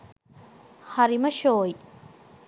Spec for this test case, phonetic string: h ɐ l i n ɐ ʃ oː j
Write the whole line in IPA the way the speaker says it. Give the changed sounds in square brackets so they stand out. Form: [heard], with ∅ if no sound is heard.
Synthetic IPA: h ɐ [ɾ] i [m] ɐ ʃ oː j

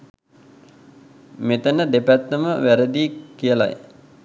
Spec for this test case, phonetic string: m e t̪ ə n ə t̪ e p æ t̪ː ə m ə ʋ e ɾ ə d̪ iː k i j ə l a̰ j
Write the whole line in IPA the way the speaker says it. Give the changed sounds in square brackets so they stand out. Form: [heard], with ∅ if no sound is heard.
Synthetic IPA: m e t̪ ə n ə [d̪] e p æ t̪ː ə m ə ʋ [æ] ɾ ə d̪ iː k i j ə l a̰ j

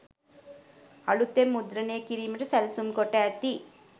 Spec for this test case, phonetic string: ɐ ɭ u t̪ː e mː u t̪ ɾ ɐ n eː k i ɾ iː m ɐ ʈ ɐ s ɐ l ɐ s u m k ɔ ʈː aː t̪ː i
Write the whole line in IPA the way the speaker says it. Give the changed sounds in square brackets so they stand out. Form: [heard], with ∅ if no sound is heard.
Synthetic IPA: ɐ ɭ u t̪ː e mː u [d̪] ɾ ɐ n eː k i ɾ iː m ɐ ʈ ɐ s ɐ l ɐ s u m k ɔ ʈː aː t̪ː i

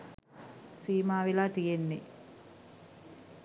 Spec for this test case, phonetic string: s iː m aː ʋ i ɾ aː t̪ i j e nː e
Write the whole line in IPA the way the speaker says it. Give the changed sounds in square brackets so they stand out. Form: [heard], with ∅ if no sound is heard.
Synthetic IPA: s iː m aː ʋ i [l] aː t̪ i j e nː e

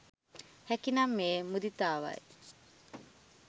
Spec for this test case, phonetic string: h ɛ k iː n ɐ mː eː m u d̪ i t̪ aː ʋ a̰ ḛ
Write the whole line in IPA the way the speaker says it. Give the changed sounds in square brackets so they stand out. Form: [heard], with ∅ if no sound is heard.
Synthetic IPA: h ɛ k [i] n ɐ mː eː m u d̪ i t̪ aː ʋ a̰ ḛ

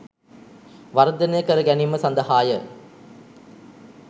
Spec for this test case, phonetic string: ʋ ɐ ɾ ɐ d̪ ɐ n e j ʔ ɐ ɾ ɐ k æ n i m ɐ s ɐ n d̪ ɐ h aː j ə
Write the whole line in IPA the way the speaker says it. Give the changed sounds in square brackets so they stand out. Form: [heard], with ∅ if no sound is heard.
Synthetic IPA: ʋ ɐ ɾ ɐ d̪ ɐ n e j [k] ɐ ɾ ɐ [ɡ] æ n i m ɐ s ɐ n d̪ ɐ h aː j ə

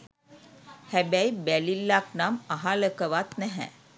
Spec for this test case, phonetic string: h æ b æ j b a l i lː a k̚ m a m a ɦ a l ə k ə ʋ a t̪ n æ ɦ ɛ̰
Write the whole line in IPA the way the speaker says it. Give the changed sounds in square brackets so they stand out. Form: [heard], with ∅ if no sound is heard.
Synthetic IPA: h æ b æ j b [æ] l i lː a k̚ [n] a m a ɦ a l ə k ə ʋ a t̪ n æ ɦ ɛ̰

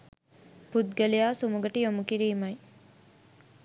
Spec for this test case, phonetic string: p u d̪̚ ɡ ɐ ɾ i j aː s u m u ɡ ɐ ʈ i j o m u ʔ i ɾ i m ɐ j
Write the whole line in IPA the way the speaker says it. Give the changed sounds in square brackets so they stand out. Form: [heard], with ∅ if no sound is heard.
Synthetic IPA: p u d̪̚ ɡ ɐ [l] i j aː s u m u ɡ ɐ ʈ i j o m u [k] i ɾ [iː] m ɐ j

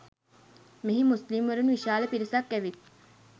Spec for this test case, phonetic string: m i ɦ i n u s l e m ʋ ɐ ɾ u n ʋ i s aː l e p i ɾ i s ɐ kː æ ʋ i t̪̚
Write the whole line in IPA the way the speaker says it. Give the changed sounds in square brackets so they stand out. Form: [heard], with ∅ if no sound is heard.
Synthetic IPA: m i ɦ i [m] u s l [i] m ʋ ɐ ɾ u n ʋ i [ʃ] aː l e p i ɾ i s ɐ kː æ ʋ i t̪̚

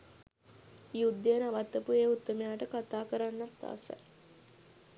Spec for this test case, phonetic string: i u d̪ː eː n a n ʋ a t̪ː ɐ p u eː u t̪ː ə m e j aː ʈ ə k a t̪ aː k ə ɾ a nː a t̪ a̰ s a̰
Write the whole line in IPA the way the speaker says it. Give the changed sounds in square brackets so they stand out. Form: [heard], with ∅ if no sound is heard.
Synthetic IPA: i u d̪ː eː n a [∅] ʋ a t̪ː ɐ p u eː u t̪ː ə m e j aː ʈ ə k a t̪ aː k ə ɾ a nː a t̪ a̰ s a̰

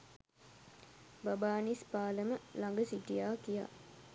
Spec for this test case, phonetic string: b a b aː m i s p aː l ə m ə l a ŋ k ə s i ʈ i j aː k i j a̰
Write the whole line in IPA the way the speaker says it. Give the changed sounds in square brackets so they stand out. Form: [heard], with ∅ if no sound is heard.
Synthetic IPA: b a b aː [n] i s p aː l ə m ə l a ŋ [ɡ] ə s i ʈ i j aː k i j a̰

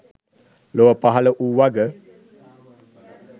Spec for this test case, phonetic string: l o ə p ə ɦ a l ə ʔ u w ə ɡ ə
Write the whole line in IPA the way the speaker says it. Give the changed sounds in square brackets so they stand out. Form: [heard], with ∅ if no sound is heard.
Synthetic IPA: l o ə p [a] ɦ a l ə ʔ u w [a] ɡ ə

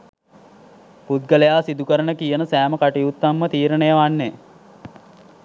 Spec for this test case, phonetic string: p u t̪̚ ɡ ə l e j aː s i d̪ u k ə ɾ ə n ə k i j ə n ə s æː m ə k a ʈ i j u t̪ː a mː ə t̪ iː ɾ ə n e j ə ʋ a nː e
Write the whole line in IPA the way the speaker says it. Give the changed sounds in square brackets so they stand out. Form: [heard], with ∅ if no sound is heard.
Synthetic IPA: p u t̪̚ ɡ ə l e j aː s i d̪ u k ə ɾ ə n ə k i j ə n ə s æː m ə k a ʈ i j u t̪ː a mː ə t̪ iː ɾ ə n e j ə ʋ a nː e

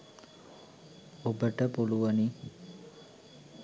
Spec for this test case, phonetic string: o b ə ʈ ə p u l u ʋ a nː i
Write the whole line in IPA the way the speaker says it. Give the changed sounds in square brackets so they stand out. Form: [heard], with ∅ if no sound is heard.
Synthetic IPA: o b ə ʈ ə p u l u ʋ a [n] i

